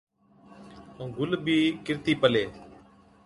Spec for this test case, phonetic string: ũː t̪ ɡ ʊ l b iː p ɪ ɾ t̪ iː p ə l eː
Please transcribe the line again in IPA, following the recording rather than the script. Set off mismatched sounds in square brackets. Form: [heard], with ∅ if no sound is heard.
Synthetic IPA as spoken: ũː [∅] ɡ ʊ l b iː [k] ɪ ɾ t̪ iː p ə l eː